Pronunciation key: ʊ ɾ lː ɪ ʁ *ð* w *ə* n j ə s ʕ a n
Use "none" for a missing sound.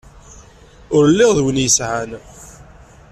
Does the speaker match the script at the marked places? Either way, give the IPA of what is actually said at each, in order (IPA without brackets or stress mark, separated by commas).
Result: ð, ə